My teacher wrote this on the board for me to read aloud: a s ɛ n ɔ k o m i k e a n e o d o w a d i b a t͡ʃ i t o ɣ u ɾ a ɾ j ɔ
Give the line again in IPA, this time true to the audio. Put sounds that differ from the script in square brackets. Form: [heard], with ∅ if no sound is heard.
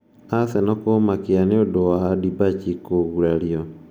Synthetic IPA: a s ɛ n ɔ k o m [a] k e a n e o d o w a d i b a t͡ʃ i [k] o ɣ u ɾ a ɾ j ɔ

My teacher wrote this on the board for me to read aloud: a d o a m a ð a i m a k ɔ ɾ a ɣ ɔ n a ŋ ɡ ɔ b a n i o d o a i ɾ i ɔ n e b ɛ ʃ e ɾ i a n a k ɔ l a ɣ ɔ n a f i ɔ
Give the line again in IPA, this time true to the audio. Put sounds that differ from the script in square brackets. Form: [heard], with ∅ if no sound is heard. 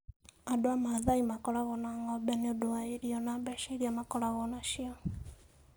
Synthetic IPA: a d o a m a ð a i m a k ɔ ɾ a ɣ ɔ n a ŋ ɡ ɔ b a n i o d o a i ɾ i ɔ n [a] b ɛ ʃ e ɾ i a [m] a k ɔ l a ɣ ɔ n a [ʃ] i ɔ

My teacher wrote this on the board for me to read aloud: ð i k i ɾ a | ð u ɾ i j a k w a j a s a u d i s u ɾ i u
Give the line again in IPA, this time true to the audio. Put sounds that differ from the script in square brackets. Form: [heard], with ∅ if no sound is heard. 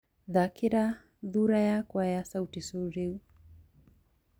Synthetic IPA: ð [a] k i ɾ a | ð u ɾ [a] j a k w a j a s a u [t] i s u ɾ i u

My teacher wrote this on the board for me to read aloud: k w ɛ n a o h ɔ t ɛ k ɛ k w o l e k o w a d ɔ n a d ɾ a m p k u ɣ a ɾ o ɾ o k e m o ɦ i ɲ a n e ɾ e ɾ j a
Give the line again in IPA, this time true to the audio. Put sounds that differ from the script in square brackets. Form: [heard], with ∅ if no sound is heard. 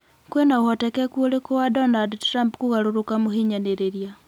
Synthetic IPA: k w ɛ n a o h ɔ t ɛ k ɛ k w o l e k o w a d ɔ n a d ɾ a m p k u ɣ a ɾ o ɾ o k [a] m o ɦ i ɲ a n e ɾ e ɾ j a

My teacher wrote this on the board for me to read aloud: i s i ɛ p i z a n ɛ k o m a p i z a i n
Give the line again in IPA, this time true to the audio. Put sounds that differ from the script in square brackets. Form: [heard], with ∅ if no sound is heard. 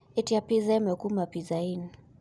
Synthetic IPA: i [t] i [a] p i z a [m] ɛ k [u] m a p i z a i n

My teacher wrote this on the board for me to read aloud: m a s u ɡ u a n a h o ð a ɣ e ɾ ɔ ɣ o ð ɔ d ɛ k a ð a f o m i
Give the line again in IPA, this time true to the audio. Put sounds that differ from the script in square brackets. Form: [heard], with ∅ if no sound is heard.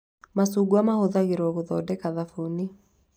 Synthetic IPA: m a s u ɡ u a [m] a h o ð a ɣ e ɾ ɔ ɣ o ð ɔ d ɛ k a ð a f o [n] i

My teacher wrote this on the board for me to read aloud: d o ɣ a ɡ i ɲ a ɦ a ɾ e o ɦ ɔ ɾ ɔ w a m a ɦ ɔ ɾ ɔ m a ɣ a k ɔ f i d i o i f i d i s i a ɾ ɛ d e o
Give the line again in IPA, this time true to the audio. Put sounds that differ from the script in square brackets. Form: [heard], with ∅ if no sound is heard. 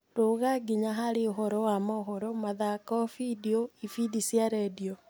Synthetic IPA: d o ɣ a ɡ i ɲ a ɦ a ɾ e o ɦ ɔ ɾ ɔ w a m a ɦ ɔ ɾ ɔ m a [ð] a k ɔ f i d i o i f i d i s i a ɾ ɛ d [i] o

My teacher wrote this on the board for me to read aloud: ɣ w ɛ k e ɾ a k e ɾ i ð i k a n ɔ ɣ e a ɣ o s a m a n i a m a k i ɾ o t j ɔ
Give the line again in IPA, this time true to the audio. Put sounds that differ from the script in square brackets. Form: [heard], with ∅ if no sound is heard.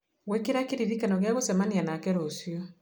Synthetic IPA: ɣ w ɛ k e ɾ a k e ɾ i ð i k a n ɔ ɣ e a ɣ o s [ɛ] m a n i a [n] a k [ɛ] ɾ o [s] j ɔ

